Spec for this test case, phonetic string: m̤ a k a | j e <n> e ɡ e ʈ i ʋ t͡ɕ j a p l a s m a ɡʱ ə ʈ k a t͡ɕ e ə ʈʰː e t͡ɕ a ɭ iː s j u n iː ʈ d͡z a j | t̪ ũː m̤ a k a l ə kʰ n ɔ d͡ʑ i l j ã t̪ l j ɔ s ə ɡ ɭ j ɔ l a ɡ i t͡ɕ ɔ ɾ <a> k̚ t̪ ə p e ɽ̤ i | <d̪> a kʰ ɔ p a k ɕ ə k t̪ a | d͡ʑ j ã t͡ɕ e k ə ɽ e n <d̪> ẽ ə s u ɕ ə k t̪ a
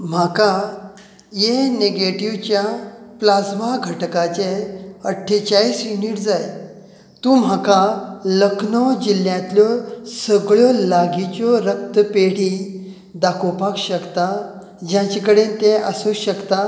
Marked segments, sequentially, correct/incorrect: correct, incorrect: ə, correct, incorrect: t̪

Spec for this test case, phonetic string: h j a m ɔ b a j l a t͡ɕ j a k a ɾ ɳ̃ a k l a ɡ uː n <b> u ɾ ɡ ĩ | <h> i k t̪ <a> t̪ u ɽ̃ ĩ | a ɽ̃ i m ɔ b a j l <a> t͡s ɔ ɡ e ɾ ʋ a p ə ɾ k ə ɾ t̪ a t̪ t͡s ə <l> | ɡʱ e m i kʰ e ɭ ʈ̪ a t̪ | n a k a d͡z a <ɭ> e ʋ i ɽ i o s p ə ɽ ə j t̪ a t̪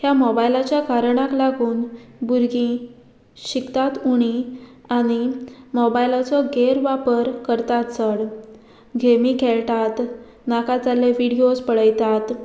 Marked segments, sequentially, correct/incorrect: correct, incorrect: ɕ, correct, correct, incorrect: ɽ, incorrect: l

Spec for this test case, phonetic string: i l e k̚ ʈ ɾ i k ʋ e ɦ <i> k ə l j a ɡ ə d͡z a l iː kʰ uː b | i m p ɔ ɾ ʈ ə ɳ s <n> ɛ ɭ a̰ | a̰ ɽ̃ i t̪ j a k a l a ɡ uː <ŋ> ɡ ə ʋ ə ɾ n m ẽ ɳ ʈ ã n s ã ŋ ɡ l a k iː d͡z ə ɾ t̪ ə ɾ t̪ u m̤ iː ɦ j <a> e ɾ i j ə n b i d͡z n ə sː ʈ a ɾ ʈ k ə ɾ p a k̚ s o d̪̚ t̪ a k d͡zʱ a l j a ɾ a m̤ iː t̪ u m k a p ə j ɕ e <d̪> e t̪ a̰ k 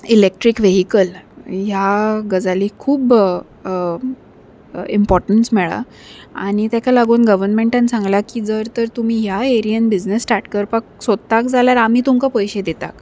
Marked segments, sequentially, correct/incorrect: correct, incorrect: m, incorrect: n, correct, correct

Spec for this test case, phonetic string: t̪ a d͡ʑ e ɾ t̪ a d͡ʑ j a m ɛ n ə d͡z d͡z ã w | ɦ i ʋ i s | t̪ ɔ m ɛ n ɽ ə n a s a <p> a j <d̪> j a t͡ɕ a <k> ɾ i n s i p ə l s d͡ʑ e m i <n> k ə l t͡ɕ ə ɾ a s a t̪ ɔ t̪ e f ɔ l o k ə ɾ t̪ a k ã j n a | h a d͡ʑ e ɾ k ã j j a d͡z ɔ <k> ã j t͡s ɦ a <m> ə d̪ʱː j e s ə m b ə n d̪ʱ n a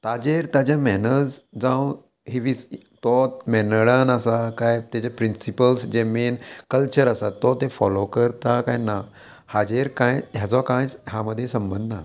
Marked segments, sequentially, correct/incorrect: incorrect: k, incorrect: t̪, incorrect: p, correct, correct, correct

